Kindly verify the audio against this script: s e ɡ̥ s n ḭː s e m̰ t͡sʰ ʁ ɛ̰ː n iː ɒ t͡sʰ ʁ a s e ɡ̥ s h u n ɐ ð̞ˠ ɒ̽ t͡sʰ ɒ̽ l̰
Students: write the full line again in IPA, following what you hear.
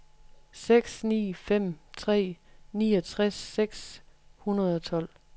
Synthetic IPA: s e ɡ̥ s n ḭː f e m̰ t͡sʰ ʁ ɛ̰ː n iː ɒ t͡sʰ ʁ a s e ɡ̥ s h u n ɐ ð̞ˠ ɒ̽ t͡sʰ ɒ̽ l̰